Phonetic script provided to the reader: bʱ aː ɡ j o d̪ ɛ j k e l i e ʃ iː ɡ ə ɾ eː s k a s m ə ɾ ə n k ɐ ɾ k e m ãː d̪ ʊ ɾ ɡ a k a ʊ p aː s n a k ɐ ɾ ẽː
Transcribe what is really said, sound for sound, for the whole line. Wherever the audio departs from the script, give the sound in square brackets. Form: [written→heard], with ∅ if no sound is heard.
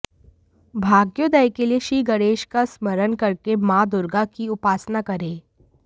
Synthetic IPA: bʱ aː ɡ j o d̪ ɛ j k e l i e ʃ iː ɡ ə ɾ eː [s→ʃ] k a s m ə ɾ ə n k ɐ ɾ k e m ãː d̪ ʊ ɾ ɡ a k [a→i] ʊ p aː s n a k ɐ ɾ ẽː